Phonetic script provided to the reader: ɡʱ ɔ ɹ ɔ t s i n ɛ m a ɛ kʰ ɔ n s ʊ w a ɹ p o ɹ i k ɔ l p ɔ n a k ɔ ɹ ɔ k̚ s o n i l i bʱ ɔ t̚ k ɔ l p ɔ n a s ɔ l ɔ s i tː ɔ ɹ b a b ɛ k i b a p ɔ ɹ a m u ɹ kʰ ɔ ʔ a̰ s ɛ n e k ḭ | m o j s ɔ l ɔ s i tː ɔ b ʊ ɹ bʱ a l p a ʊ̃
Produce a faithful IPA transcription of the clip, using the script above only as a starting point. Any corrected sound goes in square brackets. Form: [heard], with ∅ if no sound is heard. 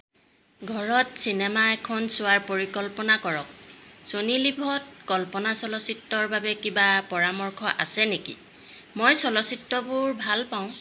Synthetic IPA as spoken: ɡʱ ɔ ɹ ɔ t s i n ɛ m a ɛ kʰ ɔ n s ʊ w a ɹ p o ɹ i k ɔ l p ɔ n a k ɔ ɹ ɔ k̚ s o n i l i bʱ ɔ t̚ k ɔ l p ɔ n a s ɔ l ɔ s i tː ɔ ɹ b a b ɛ k i b a p ɔ ɹ a m [ɔ] ɹ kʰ ɔ ʔ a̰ s ɛ n e k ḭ | m o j s ɔ l ɔ s i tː ɔ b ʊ ɹ bʱ a l p a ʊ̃